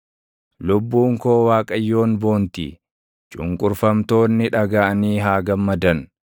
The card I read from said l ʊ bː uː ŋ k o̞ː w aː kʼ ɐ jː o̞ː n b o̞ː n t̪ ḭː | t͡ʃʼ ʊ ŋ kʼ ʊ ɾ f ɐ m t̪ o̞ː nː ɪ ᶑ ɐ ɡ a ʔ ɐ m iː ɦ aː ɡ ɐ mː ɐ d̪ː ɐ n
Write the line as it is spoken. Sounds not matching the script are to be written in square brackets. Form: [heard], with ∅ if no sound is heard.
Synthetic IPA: l ʊ bː uː ŋ k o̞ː w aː kʼ ɐ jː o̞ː n b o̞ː n t̪ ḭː | t͡ʃʼ ʊ ŋ kʼ ʊ ɾ f ɐ m t̪ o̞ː nː ɪ ᶑ ɐ ɡ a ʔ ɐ [n] iː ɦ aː ɡ ɐ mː ɐ [d̪] ɐ n